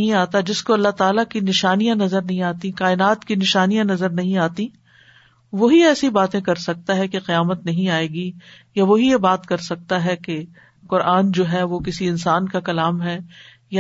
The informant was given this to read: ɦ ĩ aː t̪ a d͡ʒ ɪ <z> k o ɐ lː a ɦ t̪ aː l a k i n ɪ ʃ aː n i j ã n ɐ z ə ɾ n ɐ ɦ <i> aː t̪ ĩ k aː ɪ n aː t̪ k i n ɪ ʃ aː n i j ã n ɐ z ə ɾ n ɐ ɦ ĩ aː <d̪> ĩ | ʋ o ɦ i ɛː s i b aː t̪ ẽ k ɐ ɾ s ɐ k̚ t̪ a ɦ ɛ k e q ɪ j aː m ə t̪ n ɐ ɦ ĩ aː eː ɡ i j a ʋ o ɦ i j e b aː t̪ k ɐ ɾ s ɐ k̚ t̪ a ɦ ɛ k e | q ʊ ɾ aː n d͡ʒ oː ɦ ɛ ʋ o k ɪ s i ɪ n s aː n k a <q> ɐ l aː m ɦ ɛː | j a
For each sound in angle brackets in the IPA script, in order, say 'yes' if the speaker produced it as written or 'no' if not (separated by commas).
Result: no, no, no, no